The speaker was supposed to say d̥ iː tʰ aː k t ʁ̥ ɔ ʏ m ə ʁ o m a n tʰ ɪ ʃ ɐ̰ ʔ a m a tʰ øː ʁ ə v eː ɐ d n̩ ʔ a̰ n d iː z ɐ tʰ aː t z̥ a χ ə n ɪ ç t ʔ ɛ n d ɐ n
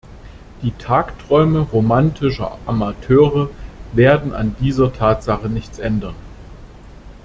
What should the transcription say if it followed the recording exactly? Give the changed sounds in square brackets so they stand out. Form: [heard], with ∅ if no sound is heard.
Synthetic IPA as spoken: d̥ iː tʰ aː k t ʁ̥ ɔ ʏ m ə ʁ o m a n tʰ ɪ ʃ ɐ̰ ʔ a m a tʰ øː ʁ ə v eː ɐ d n̩ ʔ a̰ n d iː z ɐ tʰ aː t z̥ a χ ə n ɪ ç [t͡s] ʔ ɛ n d ɐ n

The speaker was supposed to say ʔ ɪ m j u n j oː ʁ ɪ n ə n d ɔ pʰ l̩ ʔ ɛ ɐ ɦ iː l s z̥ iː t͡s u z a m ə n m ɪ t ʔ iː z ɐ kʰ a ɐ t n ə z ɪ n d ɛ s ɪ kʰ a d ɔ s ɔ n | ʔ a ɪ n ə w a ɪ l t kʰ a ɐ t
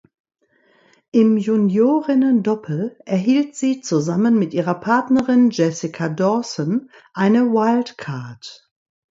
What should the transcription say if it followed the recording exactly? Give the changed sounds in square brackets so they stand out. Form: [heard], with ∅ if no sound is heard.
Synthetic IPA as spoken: ʔ ɪ m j u n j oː ʁ ɪ n ə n d ɔ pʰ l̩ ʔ ɛ ɐ ɦ iː l [t] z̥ iː t͡s u z a m ə n m ɪ t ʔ iː [ʁ] ɐ [pʰ] a ɐ t n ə [ʁ] ɪ n [d͡ʒ] ɛ s ɪ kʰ a d ɔ s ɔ n | ʔ a ɪ n ə w a ɪ l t kʰ a ɐ t

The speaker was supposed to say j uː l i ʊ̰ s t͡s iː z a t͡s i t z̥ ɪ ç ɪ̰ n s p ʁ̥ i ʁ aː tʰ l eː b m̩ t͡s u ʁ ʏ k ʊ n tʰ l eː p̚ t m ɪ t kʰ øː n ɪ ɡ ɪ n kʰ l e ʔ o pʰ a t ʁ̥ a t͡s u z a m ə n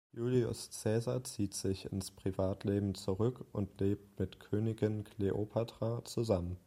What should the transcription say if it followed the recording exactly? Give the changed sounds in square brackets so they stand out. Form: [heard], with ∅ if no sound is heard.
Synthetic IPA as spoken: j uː l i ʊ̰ s t͡s [ɛː] z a t͡s [iː] t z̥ ɪ ç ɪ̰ n s p ʁ̥ i [v] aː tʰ l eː b m̩ t͡s u ʁ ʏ k ʊ n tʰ l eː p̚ t m ɪ t kʰ øː n ɪ ɡ ɪ n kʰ l e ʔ o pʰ a t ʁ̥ a t͡s u z a m ə n

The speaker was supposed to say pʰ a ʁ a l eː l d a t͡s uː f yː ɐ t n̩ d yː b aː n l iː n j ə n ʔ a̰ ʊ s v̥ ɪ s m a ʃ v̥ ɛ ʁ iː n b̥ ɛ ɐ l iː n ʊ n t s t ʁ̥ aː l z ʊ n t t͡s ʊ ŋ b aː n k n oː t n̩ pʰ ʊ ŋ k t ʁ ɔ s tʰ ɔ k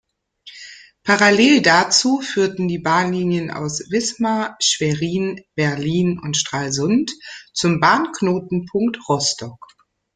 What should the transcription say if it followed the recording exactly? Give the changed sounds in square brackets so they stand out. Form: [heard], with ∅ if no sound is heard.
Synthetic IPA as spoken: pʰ a ʁ a l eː l d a t͡s uː f yː ɐ t n̩ d [iː] b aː n l iː n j ə n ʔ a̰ ʊ s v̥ ɪ s m a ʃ v̥ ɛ ʁ iː n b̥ ɛ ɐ l iː n ʊ n t [ʃ] t ʁ̥ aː l z ʊ n t t͡s ʊ [m] b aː n k n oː t n̩ pʰ ʊ ŋ k t ʁ ɔ s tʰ ɔ k

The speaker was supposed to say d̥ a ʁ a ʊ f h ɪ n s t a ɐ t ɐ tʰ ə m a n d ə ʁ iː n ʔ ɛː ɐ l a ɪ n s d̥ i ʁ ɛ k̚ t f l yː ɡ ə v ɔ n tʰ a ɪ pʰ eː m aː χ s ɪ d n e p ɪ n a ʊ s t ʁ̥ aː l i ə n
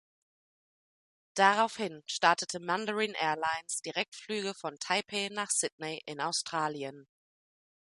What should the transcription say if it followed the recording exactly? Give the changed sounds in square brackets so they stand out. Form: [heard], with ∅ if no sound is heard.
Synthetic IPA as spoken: d̥ a ʁ a ʊ f h ɪ n [ʃ] t a ɐ t [ə] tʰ ə m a n d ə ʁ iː n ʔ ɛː ɐ l a ɪ n s d̥ i ʁ ɛ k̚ t f l yː ɡ ə [f] ɔ n tʰ a ɪ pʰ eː [n] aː χ s ɪ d n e [ʔ] ɪ n a ʊ s t ʁ̥ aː l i ə n

